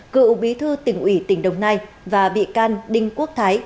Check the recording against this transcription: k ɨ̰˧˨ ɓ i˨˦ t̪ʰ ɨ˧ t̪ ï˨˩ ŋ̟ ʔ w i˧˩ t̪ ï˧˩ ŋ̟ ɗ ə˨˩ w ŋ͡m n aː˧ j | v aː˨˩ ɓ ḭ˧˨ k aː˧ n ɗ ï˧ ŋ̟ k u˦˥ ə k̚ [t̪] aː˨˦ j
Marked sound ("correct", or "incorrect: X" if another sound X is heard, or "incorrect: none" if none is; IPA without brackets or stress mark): incorrect: t̪ʰ